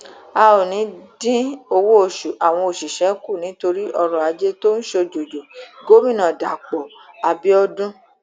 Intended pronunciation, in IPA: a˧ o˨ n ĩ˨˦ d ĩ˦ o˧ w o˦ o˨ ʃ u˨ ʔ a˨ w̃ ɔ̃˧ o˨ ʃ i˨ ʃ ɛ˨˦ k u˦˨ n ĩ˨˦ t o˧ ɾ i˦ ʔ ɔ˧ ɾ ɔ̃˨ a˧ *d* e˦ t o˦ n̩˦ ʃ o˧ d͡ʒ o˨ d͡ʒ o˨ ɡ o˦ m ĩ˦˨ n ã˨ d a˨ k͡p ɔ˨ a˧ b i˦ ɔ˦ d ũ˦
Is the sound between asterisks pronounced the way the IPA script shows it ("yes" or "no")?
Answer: no